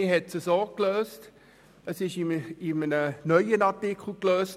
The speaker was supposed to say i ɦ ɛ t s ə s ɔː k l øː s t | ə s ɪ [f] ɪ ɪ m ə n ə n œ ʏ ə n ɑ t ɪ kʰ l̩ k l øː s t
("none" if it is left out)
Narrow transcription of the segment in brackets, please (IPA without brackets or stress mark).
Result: ʃ